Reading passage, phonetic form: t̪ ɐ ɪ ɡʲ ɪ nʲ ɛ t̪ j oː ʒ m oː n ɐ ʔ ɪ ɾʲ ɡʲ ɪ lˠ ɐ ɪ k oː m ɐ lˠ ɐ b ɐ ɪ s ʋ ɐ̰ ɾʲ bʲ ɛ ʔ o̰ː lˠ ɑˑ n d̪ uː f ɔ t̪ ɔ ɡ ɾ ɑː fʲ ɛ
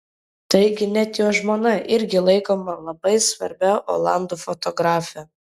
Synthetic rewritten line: t̪ ɐ ɪ ɡʲ ɪ nʲ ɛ t̪ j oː ʒ m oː n ɐ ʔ ɪ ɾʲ ɡʲ ɪ lˠ ɐ ɪ k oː m ɐ lˠ ɐ b ɐ ɪ s ʋ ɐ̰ ɾʲ bʲ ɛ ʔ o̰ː lˠ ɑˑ n d̪ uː f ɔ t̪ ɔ ɡ ɾ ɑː fʲ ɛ